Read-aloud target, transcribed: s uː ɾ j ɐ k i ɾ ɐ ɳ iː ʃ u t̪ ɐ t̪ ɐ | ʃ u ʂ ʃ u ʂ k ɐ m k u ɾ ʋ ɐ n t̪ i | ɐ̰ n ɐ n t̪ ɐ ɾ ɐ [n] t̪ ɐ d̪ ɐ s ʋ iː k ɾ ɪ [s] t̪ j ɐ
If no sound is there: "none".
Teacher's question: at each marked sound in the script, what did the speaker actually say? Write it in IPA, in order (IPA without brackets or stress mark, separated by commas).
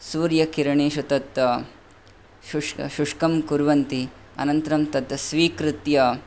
m, none